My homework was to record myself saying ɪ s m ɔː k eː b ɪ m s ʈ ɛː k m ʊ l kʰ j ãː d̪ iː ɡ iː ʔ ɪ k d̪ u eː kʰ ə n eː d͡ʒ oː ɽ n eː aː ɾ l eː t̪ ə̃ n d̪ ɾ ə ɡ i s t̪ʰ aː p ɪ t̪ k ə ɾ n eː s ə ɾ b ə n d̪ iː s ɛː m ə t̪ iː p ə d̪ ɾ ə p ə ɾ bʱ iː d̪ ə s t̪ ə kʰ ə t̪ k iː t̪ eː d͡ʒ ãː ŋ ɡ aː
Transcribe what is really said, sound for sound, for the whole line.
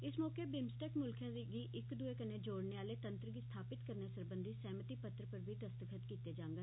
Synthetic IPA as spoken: ɪ s m ɔː k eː b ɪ m s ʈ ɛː k m ʊ l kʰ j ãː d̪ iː ɡ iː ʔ ɪ k d̪ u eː k ə n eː d͡ʒ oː ɽ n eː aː l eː t̪ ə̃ n t̪ ɾ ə ɡ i s t̪ʰ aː p ɪ t̪ k ə ɾ n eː s ə ɾ b ə n d̪ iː s ɛː m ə t̪ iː p ə t̪ ɾ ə p ə ɾ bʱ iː d̪ ə s t̪ ə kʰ ə t̪ k iː t̪ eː d͡ʒ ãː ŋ ɡ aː